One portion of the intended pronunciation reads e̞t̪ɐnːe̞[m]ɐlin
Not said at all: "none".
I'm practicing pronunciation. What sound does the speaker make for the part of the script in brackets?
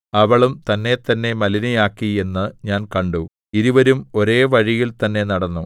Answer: m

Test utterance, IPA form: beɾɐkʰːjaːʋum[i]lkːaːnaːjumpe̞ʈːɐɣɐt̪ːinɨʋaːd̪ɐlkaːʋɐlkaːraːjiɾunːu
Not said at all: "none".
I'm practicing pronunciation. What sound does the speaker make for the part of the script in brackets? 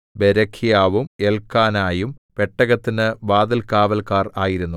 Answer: e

